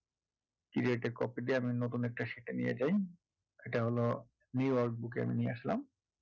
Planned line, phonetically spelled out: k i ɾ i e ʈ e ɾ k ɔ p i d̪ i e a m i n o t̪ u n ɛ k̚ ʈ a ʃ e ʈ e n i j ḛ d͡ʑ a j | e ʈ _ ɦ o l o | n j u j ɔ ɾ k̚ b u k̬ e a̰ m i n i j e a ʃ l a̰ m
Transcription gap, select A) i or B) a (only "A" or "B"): B